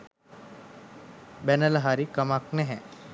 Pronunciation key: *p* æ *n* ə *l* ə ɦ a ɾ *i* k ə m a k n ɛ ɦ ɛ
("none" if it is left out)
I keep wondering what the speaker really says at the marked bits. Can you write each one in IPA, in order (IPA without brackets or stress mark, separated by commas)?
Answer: b, n, l, i